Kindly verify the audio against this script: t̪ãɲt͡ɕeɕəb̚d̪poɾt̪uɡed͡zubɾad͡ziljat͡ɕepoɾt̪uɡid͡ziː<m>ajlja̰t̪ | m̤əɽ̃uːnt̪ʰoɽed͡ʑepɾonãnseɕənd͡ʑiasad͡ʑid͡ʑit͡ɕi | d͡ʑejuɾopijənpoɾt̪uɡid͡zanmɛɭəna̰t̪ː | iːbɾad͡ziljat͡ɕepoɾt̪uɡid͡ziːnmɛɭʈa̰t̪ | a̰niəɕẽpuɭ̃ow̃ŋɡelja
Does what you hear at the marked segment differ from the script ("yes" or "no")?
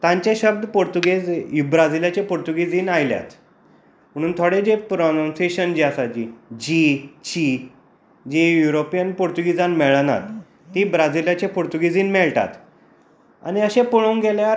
yes